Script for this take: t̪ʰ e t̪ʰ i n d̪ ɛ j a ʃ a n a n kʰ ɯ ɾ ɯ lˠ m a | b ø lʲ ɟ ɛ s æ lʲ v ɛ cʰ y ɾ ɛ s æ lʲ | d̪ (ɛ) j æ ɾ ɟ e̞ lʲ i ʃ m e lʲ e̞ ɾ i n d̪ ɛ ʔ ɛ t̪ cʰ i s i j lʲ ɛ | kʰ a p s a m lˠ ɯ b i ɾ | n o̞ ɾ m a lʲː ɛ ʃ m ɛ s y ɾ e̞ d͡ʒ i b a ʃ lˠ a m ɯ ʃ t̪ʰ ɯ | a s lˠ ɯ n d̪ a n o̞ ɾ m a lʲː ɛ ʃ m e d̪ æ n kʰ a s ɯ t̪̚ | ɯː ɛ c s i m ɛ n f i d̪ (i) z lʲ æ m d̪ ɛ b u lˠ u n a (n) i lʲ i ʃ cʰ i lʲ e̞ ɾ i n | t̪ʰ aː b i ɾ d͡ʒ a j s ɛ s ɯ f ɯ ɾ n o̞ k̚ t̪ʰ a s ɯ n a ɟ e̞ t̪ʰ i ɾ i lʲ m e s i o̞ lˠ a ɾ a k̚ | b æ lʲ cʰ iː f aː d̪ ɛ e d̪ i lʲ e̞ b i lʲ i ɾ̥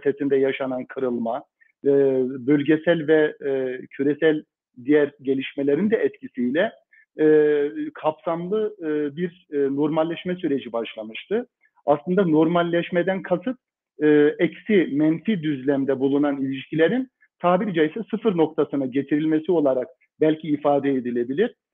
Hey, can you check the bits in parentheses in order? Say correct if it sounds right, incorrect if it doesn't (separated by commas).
incorrect, incorrect, correct